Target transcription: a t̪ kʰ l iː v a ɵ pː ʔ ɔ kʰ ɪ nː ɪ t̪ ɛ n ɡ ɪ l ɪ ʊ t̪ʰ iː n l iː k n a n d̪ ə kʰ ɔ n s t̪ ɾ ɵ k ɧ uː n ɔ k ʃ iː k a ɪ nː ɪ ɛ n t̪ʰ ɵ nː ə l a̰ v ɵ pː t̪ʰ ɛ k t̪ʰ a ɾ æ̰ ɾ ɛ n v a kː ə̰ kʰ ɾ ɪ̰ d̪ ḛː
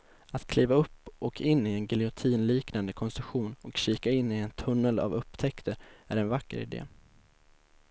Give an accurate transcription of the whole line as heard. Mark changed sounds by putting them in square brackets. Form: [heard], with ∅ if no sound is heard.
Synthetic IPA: a t̪ kʰ l iː v a ɵ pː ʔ ɔ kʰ ɪ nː ɪ [∅] ɛ n ɡ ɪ l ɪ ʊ t̪ʰ iː n l iː k n a n d̪ ə kʰ ɔ n s t̪ ɾ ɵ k ɧ uː n ɔ k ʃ iː k a ɪ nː ɪ ɛ n t̪ʰ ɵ nː ə l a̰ v ɵ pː t̪ʰ ɛ k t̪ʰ [ə] ɾ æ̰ ɾ ɛ n v a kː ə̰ [∅] ɾ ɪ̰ d̪ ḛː

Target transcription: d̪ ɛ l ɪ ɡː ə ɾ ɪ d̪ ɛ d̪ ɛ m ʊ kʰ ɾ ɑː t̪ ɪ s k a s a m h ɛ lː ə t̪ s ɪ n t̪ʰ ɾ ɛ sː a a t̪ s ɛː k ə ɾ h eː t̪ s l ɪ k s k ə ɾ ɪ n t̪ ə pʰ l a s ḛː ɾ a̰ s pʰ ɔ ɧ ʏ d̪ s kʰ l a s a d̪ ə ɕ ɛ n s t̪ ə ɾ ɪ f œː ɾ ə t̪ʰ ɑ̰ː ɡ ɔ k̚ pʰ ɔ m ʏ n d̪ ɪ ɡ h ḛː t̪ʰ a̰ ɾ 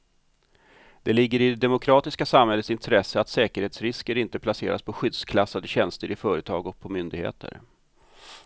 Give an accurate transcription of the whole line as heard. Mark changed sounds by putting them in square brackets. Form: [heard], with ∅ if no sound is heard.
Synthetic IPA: d̪ ɛ l ɪ ɡː ə ɾ ɪ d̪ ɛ d̪ ɛ m ʊ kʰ ɾ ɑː t̪ ɪ s k a s a m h ɛ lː ə t̪ s ɪ n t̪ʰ ɾ ɛ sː [ə] a t̪ s ɛː k ə ɾ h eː t̪ s [ɾ] ɪ [∅] s k ə ɾ ɪ n t̪ ə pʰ l a s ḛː ɾ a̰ s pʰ ɔ ɧ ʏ d̪ s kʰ l a s a d̪ ə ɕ ɛ n s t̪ ə ɾ ɪ f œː ɾ ə t̪ʰ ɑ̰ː ɡ ɔ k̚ pʰ ɔ m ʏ n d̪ ɪ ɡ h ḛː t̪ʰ [ə̰] ɾ

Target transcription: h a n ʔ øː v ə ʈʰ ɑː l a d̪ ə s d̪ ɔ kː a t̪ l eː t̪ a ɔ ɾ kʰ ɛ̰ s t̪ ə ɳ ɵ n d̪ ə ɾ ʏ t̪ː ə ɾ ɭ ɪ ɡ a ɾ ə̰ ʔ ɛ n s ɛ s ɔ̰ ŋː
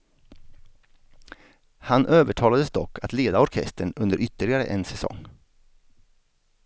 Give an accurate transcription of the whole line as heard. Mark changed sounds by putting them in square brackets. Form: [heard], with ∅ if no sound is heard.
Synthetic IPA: h a n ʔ øː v ə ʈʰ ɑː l a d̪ ə s d̪ ɔ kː a t̪ l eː [d̪] a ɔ ɾ kʰ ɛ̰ s t̪ ə ɳ ɵ n d̪ ə ɾ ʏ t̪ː ə [∅] ɭ ɪ ɡ a ɾ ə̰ ʔ ɛ n s ɛ s ɔ̰ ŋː

